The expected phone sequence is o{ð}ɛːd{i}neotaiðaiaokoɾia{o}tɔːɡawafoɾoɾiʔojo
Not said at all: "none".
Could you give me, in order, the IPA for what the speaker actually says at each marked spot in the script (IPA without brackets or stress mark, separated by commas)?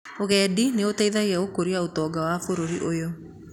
ɣ, i, o